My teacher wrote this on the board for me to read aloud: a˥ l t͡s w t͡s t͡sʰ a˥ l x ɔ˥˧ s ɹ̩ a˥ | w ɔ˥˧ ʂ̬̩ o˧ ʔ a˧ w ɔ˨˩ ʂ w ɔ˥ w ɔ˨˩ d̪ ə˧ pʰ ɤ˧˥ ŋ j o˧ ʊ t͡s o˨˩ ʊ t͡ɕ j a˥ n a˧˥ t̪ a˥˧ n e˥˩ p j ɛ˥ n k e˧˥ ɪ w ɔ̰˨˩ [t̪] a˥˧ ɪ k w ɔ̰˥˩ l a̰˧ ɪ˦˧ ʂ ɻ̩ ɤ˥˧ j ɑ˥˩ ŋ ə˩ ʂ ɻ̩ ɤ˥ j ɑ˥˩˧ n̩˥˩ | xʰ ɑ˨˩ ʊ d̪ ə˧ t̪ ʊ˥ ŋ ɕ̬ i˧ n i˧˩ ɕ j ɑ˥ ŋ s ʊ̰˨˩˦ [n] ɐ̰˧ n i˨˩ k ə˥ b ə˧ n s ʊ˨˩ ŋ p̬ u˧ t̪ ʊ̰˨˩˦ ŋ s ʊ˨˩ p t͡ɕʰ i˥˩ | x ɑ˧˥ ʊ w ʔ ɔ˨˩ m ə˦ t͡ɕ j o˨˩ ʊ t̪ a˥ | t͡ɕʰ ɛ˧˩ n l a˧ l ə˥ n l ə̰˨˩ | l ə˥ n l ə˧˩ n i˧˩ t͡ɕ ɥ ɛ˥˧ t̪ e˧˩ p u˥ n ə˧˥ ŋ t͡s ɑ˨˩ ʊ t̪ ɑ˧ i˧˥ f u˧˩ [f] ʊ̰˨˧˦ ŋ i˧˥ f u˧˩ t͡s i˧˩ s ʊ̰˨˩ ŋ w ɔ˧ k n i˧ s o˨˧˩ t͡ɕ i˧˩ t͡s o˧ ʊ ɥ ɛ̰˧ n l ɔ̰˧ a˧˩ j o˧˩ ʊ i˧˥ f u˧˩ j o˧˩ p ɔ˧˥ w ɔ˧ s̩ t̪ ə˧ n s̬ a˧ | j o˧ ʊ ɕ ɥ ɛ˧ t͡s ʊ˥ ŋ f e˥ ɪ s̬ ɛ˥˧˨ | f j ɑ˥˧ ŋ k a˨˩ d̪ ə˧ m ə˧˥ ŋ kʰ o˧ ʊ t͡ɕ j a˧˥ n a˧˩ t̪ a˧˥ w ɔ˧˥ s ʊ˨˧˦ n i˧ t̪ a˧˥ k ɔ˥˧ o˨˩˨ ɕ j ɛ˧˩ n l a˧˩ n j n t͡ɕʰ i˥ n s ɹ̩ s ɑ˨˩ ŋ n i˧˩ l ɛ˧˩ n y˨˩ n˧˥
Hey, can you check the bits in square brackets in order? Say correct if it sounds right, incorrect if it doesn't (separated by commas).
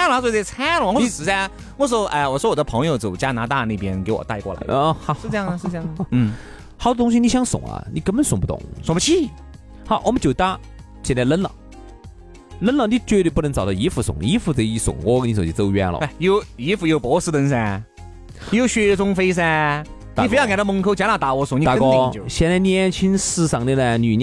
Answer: correct, incorrect, incorrect